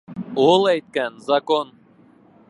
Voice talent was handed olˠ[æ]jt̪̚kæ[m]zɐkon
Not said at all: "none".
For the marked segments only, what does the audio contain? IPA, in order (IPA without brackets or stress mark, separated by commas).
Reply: æ, n